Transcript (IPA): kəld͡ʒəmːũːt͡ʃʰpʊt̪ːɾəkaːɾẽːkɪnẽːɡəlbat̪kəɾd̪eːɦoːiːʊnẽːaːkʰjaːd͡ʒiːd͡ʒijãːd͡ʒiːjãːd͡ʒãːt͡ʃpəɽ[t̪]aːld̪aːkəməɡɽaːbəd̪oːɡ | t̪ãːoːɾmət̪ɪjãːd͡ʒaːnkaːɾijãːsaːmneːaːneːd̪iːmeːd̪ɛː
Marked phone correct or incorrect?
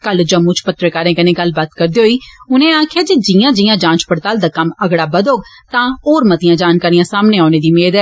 correct